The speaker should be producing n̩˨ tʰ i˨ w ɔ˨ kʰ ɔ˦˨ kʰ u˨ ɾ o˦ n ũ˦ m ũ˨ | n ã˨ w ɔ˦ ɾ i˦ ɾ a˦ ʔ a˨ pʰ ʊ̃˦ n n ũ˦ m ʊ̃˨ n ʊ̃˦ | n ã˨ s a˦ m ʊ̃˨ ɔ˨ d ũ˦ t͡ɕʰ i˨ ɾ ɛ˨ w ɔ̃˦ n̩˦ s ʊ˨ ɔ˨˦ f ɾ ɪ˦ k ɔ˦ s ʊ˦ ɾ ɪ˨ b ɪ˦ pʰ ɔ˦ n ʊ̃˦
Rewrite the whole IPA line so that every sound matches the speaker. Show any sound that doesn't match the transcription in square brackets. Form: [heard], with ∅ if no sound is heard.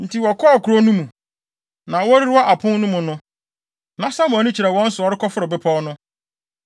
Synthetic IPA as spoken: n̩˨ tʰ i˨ w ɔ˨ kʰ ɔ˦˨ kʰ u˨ ɾ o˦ n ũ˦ m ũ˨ | n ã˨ w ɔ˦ ɾ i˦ ɾ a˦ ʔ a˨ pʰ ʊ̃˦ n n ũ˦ m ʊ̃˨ n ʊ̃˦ | n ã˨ s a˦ m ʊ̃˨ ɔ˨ [n] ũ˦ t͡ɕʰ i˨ ɾ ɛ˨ w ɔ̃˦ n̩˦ s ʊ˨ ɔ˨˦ [∅] ɾ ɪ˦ k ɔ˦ [f] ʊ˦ ɾ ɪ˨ b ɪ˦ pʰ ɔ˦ n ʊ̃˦

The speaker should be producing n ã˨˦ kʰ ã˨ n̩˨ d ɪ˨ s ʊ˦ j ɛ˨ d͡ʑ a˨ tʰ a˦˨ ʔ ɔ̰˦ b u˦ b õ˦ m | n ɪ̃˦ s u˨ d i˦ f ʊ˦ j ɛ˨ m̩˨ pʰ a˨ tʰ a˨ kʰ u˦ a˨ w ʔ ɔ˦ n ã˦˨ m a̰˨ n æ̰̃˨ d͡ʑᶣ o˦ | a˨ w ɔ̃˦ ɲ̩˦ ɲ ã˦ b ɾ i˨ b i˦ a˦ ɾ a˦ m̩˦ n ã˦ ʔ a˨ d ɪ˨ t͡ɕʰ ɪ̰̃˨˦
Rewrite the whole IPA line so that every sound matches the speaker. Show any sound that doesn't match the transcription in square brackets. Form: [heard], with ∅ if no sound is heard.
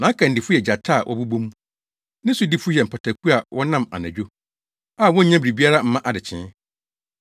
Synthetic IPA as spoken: n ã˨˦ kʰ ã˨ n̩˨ d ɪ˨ [f] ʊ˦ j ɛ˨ d͡ʑ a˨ tʰ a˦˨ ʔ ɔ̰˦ b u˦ b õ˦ m | n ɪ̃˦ s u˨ d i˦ f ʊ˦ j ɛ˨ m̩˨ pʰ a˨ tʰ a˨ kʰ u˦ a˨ w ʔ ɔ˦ n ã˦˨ m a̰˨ n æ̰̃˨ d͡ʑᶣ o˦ | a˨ w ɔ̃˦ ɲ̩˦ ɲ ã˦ b ɾ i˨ b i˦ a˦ ɾ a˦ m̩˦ [m] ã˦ ʔ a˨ d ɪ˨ t͡ɕʰ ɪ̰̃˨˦

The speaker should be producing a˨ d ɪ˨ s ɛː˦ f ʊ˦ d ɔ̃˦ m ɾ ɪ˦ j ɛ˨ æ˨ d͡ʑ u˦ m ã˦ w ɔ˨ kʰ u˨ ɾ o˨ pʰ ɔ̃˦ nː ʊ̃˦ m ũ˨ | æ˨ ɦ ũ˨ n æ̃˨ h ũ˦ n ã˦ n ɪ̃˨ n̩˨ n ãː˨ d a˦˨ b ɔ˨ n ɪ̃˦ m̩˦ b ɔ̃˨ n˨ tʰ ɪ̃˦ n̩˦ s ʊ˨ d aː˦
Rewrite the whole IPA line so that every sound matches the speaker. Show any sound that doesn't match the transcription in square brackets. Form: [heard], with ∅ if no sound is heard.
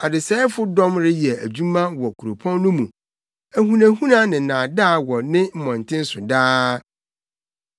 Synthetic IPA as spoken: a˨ d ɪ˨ s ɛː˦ f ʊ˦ d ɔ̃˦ m ɾ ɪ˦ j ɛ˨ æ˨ d͡ʑ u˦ m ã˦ w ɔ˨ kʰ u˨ ɾ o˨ pʰ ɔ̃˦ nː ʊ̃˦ m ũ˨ | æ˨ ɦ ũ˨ n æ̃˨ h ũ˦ n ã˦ n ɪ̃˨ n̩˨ n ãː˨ d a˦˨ [w] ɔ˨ n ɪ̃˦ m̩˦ [m] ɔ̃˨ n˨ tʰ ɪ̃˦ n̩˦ s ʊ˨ d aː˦

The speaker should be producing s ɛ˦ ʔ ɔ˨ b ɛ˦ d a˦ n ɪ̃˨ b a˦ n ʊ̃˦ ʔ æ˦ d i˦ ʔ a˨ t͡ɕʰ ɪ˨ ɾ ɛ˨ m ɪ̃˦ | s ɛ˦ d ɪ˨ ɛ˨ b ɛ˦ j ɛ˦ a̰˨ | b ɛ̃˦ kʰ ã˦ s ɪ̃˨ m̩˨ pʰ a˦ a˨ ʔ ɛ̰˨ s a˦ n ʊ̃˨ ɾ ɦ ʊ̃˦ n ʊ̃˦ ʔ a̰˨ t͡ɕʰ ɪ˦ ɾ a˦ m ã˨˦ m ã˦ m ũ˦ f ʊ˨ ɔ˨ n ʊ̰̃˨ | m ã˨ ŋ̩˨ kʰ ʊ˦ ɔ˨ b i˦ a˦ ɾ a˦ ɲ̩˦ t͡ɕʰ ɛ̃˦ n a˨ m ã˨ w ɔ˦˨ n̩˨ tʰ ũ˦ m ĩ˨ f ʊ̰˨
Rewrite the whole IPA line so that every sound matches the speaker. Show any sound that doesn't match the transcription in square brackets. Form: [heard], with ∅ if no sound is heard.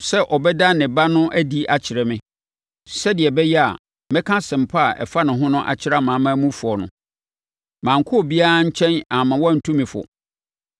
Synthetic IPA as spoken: s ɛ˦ ʔ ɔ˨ b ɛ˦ d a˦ n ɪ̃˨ b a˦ n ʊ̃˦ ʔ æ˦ d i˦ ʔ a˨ t͡ɕʰ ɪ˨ ɾ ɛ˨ m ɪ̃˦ | s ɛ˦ d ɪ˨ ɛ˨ b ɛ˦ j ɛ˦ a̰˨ | [m] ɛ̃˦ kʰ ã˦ s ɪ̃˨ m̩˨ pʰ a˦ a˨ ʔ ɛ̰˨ [f] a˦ n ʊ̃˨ [∅] ɦ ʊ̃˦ n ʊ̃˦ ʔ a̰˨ t͡ɕʰ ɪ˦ ɾ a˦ m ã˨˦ m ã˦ m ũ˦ f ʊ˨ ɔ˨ n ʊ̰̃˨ | m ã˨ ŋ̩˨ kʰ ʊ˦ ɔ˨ b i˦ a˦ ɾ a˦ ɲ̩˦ t͡ɕʰ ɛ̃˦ n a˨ m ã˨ w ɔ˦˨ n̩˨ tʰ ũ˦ m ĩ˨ f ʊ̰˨

